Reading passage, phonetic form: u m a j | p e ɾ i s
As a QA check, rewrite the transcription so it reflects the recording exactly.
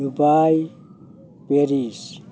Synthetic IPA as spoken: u b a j | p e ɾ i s

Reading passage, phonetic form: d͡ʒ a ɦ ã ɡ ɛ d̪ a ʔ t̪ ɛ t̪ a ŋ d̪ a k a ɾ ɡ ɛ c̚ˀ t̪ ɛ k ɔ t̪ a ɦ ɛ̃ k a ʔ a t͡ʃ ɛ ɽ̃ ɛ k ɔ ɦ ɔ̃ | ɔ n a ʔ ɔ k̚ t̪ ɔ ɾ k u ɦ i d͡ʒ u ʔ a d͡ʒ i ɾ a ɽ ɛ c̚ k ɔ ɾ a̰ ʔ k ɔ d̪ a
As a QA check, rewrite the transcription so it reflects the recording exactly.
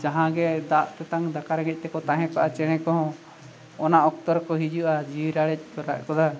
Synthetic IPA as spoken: d͡ʒ a ɦ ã ɡ ɛ d̪ a ʔ t̪ ɛ t̪ a ŋ d̪ a k a ɾ ɡ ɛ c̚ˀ t̪ ɛ k ɔ t̪ a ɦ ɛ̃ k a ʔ a t͡ʃ ɛ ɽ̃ ɛ k ɔ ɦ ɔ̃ | ɔ n a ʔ ɔ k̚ t̪ ɔ ɾ k ɔ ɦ i d͡ʒ u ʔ a d͡ʒ i ɾ a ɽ ɛ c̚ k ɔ ɾ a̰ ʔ k ɔ d̪ a

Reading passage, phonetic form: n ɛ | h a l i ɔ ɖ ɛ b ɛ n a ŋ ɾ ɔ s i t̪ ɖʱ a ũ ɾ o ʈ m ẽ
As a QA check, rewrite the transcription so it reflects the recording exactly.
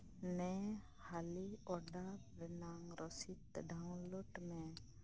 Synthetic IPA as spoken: n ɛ | h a l i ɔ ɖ a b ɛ n a ŋ ɾ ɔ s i t̪ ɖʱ a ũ l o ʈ m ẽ

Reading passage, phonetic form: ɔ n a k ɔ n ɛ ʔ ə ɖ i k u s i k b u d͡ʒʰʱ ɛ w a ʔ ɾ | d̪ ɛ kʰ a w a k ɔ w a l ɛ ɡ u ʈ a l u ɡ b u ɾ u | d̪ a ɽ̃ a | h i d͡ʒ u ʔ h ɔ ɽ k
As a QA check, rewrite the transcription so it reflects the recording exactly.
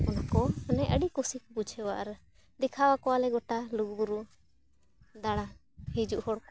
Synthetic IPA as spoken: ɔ n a k ɔ n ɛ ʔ ə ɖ i k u s i k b u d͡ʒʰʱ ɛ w a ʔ ɾ | d̪ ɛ kʰ a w a k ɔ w a l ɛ ɡ ɔ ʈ a l u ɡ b u ɾ u | d̪ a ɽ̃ a | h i d͡ʒ u ʔ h ɔ ɽ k

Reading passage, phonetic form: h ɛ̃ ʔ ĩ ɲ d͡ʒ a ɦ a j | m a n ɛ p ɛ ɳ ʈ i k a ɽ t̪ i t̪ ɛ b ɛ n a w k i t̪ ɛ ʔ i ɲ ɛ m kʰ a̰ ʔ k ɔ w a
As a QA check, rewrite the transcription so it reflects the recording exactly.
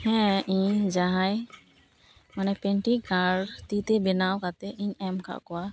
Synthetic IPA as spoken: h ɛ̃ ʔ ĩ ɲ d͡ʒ a ɦ a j | m a n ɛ p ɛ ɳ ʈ i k a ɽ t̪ i t̪ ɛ b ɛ n a w k a t̪ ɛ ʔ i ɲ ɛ m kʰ a̰ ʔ k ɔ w a

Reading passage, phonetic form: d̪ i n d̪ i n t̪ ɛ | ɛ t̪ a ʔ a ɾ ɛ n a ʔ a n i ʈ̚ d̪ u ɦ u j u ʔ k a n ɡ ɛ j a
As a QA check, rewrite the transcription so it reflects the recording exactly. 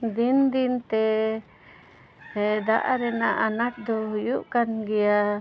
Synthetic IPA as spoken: d̪ i n d̪ i n t̪ ɛ | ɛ d̪ a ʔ a ɾ ɛ n a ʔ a n a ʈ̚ d̪ ɔ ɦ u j u ʔ k a n ɡ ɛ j a

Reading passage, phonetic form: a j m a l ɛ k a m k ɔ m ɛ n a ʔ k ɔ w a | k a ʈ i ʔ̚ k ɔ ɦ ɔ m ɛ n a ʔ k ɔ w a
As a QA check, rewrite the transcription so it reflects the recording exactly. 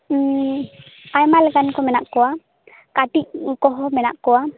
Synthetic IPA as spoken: a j m a l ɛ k a n k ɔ m ɛ n a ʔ k ɔ w a | k a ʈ i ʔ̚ k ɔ ɦ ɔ m ɛ n a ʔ k ɔ w a

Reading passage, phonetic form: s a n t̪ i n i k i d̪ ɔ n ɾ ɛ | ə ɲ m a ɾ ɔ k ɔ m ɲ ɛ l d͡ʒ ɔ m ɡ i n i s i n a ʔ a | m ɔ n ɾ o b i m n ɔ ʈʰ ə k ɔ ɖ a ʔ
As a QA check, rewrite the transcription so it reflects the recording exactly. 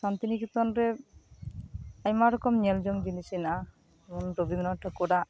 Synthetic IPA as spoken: s a n t̪ i n i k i t̪ ɔ n ɾ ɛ | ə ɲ m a ɾ ɔ k ɔ m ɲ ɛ l d͡ʒ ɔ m ɡ i n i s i n a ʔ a | m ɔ n ɾ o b i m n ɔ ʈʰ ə k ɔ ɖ a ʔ

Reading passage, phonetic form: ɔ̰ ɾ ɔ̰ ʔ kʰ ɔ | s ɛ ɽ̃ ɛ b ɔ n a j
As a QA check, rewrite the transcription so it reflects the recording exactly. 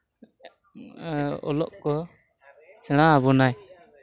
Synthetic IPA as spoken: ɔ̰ l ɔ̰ ʔ k ɔ | s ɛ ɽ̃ a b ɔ n a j

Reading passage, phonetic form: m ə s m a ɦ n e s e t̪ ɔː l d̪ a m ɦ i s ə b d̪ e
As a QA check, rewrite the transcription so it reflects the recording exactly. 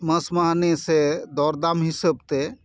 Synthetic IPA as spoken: m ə s m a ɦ n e s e d̪ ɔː ɾ d̪ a m ɦ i s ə b t̪ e

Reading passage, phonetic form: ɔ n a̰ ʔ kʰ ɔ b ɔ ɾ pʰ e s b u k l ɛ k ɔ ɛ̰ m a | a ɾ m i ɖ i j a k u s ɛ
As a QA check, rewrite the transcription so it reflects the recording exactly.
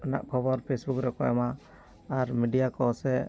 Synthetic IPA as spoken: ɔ n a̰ ʔ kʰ ɔ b ɔ ɾ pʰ e s b u k ɾ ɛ k ɔ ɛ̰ m a | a ɾ m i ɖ i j a k ɔ s ɛ

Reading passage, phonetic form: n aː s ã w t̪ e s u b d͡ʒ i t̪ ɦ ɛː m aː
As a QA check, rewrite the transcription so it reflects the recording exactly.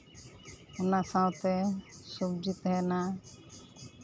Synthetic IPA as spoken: n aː s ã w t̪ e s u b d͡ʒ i t̪ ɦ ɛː n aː

